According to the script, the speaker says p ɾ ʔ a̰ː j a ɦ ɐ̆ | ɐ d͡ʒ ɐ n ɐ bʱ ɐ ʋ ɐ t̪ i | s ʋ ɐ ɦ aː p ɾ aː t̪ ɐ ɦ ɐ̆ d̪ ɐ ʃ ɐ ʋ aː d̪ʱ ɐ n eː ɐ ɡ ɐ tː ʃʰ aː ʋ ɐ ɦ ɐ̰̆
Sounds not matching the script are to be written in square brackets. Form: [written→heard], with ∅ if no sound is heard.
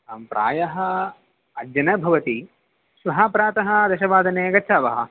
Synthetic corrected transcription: p ɾ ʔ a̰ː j [a→ɐ] ɦ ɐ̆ | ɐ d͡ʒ ɐ n ɐ bʱ ɐ ʋ ɐ t̪ i | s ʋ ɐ ɦ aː p ɾ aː t̪ ɐ ɦ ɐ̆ d̪ ɐ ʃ ɐ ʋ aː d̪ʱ ɐ n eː ɐ ɡ ɐ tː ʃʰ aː ʋ ɐ ɦ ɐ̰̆